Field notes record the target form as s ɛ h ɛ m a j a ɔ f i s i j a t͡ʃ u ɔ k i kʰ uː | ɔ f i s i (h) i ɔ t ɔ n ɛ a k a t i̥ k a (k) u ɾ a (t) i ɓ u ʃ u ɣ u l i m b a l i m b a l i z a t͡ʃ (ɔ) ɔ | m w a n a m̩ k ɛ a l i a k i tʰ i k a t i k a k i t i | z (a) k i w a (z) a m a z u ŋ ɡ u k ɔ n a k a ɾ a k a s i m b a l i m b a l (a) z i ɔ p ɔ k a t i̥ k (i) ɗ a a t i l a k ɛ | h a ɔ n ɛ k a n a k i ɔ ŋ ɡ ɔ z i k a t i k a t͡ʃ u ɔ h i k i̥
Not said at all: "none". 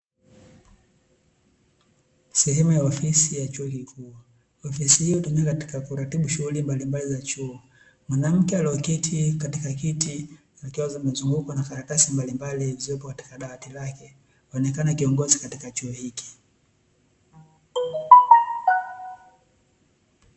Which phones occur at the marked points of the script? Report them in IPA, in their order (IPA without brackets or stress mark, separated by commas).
h, k, t, u, a, z, i, a